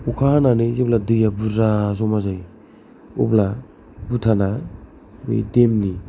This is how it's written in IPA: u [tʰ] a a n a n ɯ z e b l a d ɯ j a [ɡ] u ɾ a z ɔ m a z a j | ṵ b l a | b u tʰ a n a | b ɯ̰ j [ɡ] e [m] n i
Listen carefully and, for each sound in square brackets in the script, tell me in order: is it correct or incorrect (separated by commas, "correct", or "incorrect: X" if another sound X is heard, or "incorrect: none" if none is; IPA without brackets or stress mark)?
incorrect: kʰ, incorrect: b, incorrect: d, correct